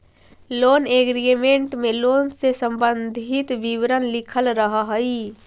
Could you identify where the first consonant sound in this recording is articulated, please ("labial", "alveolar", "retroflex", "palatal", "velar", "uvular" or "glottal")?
alveolar